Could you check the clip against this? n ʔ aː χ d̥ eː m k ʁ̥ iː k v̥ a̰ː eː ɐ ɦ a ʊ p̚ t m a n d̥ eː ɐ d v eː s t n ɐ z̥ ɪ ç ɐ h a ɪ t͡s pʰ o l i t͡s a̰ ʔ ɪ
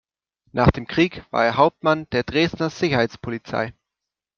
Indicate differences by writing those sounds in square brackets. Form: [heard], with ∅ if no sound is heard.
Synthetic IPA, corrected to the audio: n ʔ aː χ d̥ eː m k ʁ̥ iː k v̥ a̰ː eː ɐ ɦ a ʊ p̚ t m a n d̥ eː ɐ d [ʁ] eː s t n ɐ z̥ ɪ ç ɐ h a ɪ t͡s pʰ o l i t͡s a̰ [∅] ɪ